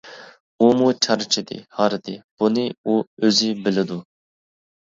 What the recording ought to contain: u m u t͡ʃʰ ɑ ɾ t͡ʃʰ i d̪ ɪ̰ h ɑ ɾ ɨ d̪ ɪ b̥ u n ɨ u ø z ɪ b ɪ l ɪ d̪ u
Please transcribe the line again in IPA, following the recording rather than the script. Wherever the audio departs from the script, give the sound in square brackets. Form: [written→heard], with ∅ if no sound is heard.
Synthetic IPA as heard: u m u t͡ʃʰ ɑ ɾ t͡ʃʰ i d̪ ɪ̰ h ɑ ɾ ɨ d̪ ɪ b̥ u n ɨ u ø z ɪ b ɪ l ɪ d̪ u